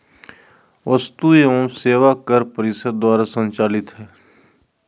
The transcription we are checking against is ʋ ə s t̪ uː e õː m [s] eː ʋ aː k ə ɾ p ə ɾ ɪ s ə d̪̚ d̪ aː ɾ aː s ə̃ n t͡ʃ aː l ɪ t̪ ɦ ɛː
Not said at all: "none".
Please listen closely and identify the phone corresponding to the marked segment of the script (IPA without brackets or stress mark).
s